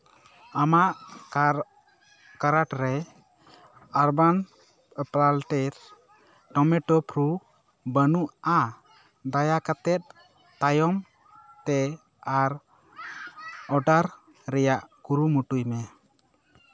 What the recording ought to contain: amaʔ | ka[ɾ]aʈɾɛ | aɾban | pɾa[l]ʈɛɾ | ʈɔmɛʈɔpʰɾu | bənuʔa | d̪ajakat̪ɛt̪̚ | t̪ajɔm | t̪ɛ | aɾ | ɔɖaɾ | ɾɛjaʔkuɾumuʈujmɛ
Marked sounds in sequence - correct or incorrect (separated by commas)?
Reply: correct, correct